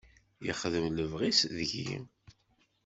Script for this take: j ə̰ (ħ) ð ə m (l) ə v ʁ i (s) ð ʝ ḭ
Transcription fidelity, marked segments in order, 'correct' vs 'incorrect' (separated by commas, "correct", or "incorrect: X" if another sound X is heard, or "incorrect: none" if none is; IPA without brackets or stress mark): incorrect: χ, correct, correct